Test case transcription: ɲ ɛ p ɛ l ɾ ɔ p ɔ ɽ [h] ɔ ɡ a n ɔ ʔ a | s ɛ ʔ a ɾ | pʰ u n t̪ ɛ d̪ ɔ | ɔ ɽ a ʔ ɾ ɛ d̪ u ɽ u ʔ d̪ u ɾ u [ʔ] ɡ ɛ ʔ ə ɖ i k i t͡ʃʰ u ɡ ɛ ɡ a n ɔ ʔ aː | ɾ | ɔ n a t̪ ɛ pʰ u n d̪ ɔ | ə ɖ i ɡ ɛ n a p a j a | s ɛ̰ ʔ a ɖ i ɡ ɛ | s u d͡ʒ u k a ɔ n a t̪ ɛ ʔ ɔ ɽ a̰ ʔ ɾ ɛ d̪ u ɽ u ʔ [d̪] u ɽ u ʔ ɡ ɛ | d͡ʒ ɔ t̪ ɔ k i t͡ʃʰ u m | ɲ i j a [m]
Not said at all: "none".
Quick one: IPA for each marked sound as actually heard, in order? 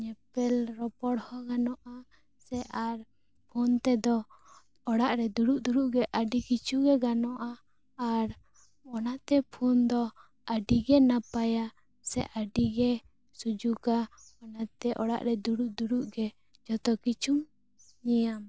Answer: h, ʔ, d̪, m

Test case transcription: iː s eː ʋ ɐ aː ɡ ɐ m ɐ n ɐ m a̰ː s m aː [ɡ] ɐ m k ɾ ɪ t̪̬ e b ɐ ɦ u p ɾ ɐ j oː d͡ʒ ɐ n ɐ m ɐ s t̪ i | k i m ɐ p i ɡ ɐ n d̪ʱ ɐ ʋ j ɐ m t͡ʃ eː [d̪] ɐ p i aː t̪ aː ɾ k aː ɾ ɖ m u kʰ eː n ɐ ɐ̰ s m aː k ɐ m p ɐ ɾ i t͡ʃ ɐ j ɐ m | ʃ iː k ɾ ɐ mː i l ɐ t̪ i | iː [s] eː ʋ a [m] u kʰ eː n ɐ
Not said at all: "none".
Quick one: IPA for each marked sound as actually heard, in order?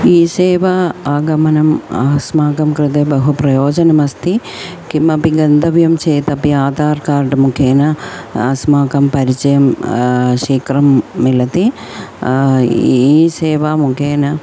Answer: k, t̪, s, m

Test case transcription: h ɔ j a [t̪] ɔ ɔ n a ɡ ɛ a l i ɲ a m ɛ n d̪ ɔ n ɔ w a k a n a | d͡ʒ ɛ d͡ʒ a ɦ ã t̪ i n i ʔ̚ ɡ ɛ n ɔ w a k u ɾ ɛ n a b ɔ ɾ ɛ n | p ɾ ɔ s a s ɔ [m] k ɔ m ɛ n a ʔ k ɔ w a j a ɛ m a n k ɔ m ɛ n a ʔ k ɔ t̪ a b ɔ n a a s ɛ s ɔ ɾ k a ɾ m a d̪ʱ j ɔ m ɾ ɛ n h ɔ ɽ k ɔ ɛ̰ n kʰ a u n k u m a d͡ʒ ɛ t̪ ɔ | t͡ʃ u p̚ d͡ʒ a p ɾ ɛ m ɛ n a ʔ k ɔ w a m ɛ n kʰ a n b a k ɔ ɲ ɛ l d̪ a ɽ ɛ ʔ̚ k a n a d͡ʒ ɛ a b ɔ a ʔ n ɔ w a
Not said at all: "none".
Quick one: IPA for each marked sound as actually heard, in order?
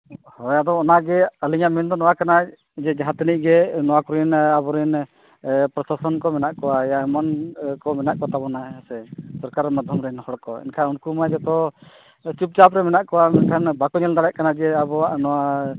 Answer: d̪, n

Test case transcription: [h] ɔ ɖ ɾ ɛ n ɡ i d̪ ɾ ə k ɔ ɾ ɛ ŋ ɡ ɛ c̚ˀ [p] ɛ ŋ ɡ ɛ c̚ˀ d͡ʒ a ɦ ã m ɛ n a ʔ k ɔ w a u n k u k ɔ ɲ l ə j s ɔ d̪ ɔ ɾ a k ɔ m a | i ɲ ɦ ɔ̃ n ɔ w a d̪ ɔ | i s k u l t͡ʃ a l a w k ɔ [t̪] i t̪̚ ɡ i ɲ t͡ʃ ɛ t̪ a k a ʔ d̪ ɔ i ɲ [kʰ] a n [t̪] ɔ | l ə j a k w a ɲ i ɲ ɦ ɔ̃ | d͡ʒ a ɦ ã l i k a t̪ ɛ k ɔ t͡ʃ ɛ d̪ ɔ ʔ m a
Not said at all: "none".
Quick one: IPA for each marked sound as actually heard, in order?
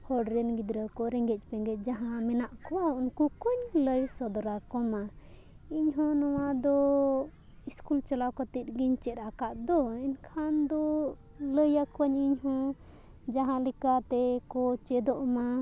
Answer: h, p, t̪, kʰ, d̪

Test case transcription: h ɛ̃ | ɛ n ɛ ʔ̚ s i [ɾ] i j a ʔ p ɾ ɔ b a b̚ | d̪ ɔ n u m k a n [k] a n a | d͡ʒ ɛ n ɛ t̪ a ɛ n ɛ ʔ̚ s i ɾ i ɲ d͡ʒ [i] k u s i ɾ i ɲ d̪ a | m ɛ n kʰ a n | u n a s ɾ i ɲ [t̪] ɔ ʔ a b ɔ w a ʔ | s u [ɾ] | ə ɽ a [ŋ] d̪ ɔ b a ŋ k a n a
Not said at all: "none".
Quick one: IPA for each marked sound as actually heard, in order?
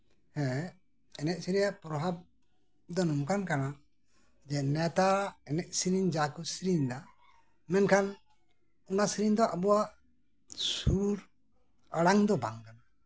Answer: ɾ, k, a, d̪, ɾ, ŋ

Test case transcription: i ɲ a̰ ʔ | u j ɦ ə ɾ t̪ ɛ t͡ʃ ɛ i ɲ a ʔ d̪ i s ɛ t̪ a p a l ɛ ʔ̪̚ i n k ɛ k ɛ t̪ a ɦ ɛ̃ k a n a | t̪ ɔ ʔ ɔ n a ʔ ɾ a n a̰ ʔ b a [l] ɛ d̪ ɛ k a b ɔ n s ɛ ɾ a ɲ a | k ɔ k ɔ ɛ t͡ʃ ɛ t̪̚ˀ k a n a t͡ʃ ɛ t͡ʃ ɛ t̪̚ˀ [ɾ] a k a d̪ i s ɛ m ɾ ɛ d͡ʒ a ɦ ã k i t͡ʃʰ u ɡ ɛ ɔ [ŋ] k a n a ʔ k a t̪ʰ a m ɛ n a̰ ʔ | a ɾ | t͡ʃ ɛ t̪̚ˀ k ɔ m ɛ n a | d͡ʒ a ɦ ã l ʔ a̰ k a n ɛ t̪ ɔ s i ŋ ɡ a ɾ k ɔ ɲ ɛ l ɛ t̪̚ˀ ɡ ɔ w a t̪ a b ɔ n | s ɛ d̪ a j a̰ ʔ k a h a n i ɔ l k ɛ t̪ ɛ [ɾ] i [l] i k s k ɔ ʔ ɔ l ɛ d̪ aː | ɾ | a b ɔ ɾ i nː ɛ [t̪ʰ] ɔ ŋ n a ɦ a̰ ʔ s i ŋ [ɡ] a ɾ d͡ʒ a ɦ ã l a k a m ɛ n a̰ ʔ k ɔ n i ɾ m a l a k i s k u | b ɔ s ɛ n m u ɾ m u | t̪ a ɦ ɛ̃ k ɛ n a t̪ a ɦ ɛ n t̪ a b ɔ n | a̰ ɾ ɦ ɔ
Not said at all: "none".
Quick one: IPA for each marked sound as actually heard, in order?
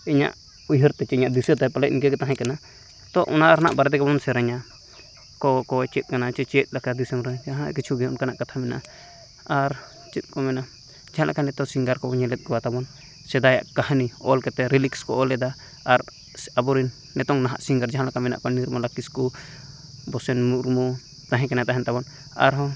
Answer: ɾ, l, n, ɾ, l, t̪, ɡ

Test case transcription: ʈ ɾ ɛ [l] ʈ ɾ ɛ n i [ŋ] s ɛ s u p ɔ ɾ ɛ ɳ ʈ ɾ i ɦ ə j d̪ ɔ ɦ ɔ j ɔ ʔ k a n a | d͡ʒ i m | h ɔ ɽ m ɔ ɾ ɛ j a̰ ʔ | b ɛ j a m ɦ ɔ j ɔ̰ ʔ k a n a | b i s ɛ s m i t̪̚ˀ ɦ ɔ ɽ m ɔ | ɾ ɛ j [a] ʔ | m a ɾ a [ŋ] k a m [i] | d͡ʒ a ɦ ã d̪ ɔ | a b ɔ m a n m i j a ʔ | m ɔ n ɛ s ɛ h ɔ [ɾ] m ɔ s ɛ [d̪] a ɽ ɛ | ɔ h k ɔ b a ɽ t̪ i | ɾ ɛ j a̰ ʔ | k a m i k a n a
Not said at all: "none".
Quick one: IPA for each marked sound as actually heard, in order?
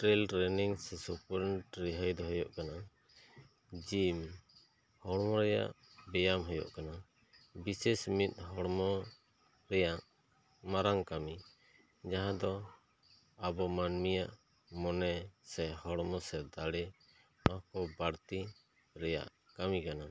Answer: l, ŋ, a, ŋ, i, ɽ, d̪

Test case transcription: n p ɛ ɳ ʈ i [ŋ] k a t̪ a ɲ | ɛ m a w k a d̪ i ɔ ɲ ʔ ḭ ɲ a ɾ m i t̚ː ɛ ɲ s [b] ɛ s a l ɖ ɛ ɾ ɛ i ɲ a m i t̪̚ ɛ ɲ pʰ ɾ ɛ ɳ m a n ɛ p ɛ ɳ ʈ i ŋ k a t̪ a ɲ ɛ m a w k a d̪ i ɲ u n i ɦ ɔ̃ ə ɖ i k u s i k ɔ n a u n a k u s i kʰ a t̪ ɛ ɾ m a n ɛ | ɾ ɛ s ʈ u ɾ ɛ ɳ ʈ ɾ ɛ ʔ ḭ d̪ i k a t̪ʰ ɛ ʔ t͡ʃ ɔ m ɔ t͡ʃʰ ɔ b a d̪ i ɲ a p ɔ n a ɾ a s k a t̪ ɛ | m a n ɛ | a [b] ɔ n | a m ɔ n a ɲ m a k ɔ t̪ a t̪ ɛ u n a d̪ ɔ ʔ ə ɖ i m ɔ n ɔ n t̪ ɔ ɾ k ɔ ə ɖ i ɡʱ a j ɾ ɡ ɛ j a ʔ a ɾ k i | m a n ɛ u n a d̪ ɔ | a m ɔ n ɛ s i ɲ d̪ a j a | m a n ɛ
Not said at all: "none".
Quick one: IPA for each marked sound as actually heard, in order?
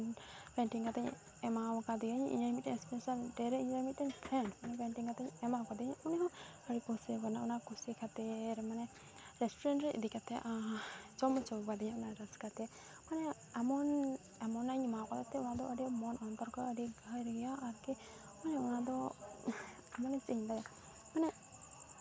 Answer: ŋ, p, m

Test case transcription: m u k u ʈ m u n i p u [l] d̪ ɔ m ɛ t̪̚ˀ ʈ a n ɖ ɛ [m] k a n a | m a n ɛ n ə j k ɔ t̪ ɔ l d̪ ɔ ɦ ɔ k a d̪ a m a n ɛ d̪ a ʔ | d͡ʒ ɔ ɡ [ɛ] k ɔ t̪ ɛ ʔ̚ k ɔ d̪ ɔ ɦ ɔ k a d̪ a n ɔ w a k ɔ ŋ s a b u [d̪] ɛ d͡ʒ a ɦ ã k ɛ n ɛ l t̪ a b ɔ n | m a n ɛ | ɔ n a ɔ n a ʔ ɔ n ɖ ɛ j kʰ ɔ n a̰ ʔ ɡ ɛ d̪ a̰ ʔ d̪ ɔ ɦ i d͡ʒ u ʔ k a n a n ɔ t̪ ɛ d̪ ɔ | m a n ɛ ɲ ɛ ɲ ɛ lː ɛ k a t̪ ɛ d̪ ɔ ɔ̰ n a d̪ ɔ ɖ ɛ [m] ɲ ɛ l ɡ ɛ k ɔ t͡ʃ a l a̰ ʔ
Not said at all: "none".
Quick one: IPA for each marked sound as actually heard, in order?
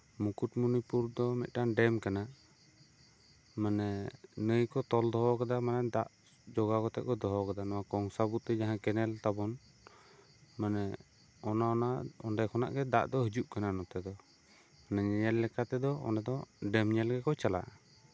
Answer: ɾ, m, a, t̪, m

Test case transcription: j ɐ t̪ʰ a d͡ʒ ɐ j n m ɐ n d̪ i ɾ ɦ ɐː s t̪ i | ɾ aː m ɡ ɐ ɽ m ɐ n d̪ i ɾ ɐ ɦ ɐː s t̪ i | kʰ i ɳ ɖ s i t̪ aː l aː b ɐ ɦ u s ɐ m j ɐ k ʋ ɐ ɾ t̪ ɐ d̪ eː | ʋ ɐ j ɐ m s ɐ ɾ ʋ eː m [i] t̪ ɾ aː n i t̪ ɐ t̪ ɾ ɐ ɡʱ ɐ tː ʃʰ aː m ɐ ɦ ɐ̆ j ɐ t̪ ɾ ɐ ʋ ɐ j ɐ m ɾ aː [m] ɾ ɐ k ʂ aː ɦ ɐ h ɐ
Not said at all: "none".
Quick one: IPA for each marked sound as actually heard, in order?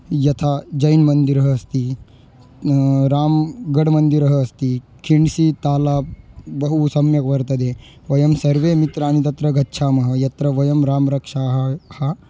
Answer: i, m

